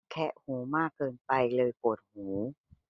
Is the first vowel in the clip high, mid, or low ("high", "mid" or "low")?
mid